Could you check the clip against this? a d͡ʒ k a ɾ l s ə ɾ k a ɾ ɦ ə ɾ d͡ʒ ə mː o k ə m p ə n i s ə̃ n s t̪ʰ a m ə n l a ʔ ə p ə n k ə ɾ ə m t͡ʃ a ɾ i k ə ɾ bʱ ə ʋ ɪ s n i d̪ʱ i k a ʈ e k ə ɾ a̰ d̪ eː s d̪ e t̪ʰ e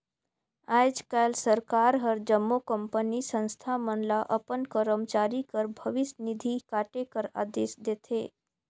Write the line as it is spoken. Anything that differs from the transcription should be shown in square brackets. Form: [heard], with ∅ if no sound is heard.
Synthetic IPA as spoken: a d͡ʒ k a [∅] l s ə ɾ k a ɾ ɦ ə ɾ d͡ʒ ə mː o k ə m p ə n i s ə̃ n s t̪ʰ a m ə n l a ʔ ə p ə n k ə ɾ ə m t͡ʃ a ɾ i k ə ɾ bʱ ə ʋ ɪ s n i d̪ʱ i k a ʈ e k ə ɾ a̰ d̪ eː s d̪ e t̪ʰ e

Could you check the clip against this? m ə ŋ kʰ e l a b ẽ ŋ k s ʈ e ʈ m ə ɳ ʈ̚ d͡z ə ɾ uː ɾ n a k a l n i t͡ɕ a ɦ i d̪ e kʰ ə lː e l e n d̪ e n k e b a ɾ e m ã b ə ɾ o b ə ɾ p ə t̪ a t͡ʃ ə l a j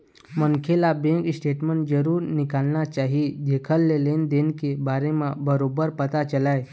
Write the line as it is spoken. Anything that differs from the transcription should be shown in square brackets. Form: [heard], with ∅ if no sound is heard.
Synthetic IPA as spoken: m ə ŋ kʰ e l a b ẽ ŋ k s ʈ e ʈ m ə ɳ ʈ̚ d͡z ə ɾ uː ɾ n [i] k a l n [a] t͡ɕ a ɦ i d̪ e kʰ ə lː e l e n d̪ e n k e b a ɾ e m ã b ə ɾ o b ə ɾ p ə t̪ a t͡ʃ ə l a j

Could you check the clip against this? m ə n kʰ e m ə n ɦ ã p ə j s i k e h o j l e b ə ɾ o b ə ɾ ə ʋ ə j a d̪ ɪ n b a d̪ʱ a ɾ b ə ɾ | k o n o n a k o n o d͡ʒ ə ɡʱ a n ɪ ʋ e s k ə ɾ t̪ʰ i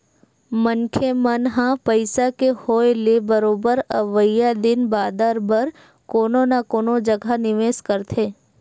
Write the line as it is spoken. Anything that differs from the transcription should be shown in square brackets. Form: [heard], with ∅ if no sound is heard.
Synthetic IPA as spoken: m ə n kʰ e m ə n ɦ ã p ə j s [a] k e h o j l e b ə ɾ o b ə ɾ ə ʋ ə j a d̪ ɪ n b a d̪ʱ a ɾ b ə ɾ | k o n o n a k o n o d͡ʒ ə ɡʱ a n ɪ ʋ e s k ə ɾ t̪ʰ [e]

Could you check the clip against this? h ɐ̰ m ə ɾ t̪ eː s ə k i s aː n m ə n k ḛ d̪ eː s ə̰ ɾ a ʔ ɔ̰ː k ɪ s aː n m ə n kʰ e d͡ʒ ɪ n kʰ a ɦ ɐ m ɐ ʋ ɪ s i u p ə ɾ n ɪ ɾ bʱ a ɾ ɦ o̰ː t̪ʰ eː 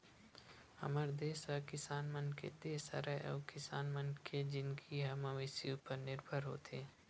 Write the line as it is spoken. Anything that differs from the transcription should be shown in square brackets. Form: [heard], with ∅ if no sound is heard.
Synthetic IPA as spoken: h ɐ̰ m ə ɾ [d̪] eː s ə k [ɪ] s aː n m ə n k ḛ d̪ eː s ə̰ ɾ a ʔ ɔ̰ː k ɪ s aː n m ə n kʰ e d͡ʒ ɪ n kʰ [i] ɦ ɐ m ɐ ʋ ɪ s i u p ə ɾ n ɪ ɾ bʱ [ə] ɾ ɦ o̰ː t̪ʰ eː

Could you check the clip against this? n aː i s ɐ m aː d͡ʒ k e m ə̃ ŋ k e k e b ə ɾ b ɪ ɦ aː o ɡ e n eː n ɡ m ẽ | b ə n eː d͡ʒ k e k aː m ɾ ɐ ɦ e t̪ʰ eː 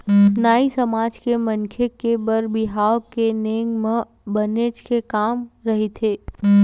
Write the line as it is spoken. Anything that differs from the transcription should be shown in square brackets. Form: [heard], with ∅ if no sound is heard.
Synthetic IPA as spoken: n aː i s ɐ m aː d͡ʒ k e m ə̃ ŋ [kʰ] e k e b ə ɾ b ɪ ɦ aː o [k] e n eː [ŋ] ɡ m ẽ | b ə n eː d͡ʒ k e k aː m ɾ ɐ ɦ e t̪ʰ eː

